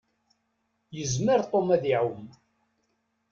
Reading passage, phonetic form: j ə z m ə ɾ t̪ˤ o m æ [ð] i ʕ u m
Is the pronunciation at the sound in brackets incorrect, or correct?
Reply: correct